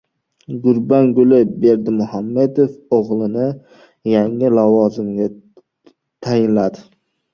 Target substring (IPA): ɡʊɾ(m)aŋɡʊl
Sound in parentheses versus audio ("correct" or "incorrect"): incorrect